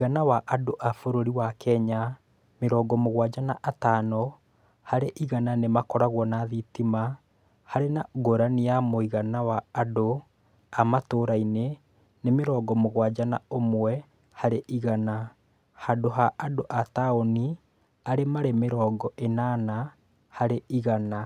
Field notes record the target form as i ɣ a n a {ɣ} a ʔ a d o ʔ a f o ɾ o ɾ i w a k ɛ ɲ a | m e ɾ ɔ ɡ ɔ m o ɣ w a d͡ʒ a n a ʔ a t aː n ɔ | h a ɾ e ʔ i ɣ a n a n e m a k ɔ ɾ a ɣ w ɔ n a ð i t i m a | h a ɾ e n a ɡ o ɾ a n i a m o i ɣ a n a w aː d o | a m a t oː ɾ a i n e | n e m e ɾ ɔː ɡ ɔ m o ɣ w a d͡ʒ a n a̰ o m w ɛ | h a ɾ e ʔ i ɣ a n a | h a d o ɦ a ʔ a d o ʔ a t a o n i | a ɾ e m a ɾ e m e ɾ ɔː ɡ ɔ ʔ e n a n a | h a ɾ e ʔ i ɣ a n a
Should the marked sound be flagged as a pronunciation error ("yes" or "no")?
yes